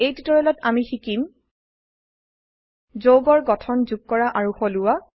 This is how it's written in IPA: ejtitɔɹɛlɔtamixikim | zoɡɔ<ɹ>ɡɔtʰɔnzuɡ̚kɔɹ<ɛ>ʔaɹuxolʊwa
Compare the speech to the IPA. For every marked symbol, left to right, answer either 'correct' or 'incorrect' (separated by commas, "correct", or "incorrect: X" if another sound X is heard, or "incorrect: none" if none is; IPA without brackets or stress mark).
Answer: correct, incorrect: a